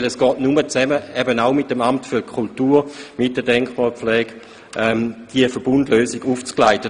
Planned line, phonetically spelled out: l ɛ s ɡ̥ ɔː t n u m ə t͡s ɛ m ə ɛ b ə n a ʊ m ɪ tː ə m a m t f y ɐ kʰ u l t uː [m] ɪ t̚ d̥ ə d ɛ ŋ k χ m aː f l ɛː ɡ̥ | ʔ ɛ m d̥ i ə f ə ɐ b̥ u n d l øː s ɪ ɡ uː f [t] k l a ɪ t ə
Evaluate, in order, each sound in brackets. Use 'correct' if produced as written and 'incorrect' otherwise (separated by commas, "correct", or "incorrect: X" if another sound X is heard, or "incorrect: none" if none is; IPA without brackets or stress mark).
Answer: correct, incorrect: t͡s